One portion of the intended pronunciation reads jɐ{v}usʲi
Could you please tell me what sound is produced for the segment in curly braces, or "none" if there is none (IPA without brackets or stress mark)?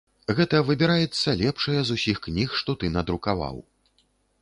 z